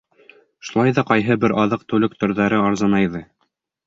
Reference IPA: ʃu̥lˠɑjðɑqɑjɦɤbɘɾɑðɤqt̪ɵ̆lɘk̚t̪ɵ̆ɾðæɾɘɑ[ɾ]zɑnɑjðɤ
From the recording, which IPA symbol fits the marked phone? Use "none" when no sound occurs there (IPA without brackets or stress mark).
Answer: ɾ